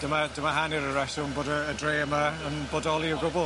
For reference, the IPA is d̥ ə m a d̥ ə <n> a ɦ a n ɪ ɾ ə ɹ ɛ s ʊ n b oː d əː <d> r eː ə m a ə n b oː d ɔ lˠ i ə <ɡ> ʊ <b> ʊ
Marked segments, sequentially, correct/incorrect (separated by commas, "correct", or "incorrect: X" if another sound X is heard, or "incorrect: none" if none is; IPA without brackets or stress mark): incorrect: m, correct, correct, correct